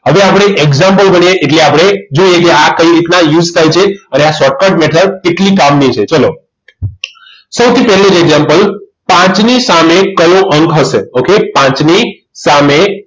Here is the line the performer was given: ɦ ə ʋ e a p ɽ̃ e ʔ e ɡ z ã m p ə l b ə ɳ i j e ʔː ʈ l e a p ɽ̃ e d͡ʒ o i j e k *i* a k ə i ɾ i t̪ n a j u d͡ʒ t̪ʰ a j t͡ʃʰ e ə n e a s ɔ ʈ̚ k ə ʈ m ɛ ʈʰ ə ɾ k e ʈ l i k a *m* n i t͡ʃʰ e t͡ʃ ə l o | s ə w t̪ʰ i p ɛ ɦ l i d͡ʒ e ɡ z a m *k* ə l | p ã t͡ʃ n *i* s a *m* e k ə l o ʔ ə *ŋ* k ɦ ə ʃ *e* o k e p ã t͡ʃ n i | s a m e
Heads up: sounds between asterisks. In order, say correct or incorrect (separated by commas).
incorrect, correct, incorrect, correct, correct, correct, correct